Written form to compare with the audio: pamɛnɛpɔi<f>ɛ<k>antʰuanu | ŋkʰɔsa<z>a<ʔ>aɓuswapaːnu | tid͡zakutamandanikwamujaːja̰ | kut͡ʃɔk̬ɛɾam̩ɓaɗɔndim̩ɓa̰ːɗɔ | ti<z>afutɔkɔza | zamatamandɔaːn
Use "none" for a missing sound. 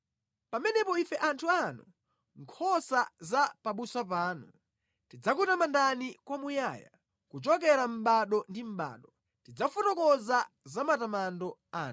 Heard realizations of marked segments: f, ʔ, z, p, d͡z

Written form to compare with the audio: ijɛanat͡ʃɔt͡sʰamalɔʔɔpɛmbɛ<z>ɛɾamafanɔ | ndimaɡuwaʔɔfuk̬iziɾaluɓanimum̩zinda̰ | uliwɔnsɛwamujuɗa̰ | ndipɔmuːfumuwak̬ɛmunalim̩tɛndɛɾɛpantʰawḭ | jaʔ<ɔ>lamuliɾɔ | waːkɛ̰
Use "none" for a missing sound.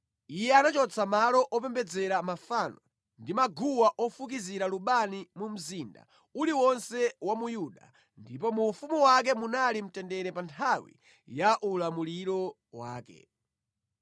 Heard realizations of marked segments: d͡z, u

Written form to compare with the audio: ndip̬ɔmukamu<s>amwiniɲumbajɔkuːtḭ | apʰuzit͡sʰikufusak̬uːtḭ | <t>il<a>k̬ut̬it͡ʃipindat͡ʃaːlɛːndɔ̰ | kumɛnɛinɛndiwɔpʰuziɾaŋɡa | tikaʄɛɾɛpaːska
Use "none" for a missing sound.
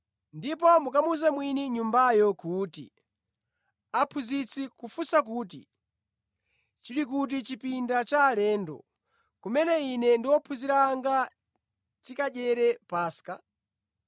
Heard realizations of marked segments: z, t͡ʃ, i

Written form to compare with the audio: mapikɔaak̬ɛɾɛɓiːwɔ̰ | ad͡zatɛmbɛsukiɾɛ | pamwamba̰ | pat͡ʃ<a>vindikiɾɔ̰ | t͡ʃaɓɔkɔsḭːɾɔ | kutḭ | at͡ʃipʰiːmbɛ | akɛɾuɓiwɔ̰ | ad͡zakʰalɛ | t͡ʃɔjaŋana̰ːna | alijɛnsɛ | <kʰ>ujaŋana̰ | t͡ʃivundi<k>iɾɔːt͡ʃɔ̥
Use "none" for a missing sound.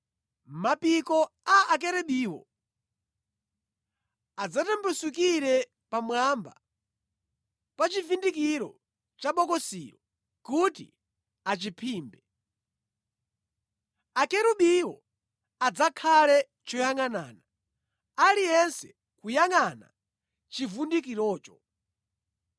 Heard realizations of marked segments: i, k, k

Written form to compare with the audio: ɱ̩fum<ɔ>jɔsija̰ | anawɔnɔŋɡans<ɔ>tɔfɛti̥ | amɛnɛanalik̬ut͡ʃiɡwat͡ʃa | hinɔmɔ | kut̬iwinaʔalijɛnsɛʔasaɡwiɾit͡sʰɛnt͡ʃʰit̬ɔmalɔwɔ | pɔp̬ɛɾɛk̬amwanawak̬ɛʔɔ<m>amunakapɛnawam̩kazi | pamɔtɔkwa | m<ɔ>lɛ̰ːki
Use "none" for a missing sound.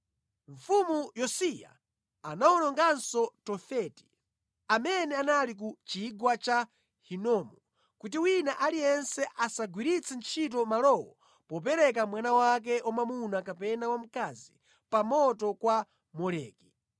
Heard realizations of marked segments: u, ɔ, m, ɔ

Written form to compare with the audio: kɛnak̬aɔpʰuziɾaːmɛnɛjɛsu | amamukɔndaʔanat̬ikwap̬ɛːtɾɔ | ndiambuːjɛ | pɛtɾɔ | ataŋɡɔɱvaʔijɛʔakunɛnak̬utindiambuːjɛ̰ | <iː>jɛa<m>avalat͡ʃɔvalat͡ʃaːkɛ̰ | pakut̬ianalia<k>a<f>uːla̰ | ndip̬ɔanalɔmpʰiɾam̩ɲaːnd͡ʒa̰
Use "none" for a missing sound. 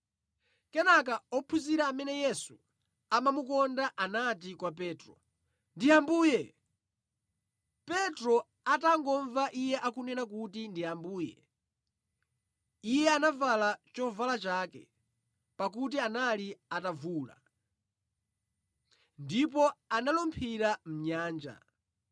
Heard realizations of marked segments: i, n, t, v

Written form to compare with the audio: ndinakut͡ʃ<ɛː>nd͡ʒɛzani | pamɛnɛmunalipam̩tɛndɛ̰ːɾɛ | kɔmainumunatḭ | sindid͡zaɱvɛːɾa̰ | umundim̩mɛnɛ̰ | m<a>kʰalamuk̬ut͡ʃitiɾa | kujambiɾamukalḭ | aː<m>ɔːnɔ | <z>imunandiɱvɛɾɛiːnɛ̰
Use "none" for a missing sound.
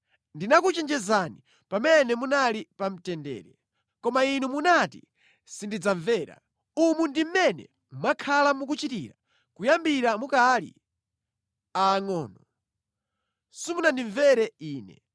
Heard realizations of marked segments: ɛ, a, ŋ, s

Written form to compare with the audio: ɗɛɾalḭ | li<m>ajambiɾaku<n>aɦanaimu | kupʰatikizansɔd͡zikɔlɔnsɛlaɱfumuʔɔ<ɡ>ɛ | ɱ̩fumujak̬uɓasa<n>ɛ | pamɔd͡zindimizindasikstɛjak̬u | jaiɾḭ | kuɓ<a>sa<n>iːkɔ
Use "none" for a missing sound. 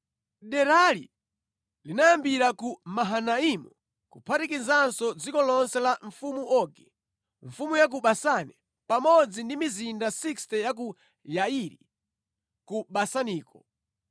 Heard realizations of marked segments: n, m, ɡ, n, a, n

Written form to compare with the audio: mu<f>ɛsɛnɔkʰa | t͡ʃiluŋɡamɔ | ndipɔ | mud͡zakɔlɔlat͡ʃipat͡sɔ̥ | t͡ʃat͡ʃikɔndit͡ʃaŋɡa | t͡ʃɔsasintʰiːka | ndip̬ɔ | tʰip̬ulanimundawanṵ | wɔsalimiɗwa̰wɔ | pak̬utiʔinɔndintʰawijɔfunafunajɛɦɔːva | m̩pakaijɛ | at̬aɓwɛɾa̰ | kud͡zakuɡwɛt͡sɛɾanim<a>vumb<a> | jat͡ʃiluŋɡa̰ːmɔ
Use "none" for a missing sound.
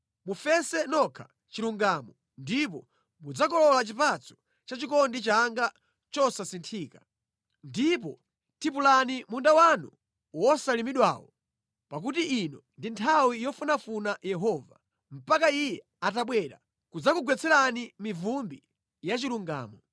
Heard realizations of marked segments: f, i, i

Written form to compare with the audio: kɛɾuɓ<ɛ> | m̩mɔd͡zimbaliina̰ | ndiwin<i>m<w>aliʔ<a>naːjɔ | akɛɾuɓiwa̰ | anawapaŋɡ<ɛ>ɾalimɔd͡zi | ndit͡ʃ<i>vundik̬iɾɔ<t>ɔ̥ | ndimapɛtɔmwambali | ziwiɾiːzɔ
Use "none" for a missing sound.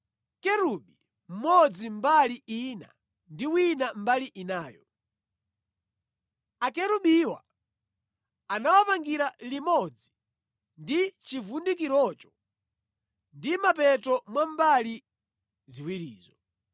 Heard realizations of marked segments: i, a, b, i, i, i, t͡ʃ

